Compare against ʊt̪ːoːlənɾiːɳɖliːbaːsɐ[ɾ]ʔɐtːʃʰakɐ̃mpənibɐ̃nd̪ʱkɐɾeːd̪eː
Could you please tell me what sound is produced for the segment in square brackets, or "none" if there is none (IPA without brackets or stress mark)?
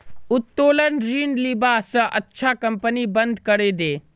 none